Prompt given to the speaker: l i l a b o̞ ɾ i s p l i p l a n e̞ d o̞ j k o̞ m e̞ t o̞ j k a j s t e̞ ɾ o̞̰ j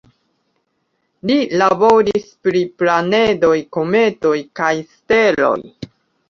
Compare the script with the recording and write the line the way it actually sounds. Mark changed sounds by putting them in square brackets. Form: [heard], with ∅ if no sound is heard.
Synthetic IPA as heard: l i l a b o̞ ɾ i s p [ɾ] i p l a n e̞ d o̞ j k o̞ m e̞ t o̞ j k a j s t e̞ [l] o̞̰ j